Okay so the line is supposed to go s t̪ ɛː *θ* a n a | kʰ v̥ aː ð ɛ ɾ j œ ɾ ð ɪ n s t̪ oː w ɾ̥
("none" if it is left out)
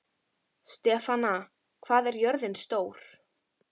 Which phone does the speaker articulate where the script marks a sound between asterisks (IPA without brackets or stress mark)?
f